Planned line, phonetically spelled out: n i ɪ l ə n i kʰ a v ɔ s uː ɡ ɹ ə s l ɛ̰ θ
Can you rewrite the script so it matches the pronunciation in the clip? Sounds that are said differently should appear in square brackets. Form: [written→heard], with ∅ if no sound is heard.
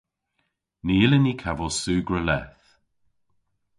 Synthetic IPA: n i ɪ l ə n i kʰ a v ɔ s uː ɡ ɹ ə [s→∅] l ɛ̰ θ